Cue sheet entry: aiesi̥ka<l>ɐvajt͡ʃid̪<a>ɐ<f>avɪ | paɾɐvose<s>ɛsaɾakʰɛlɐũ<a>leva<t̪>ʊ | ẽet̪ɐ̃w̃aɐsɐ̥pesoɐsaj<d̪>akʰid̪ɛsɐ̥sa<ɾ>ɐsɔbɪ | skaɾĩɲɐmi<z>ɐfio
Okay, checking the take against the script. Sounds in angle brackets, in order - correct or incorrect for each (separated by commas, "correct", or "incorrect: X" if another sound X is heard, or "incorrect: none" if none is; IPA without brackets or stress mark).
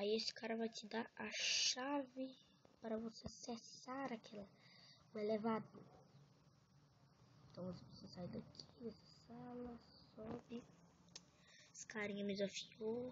incorrect: ɾ, correct, incorrect: ʃ, correct, incorrect: e, incorrect: d̪, correct, incorrect: l, correct